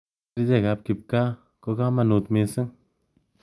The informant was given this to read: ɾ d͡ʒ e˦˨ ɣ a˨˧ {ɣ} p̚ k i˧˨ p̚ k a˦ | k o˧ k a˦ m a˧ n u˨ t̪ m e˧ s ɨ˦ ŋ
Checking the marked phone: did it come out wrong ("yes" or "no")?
yes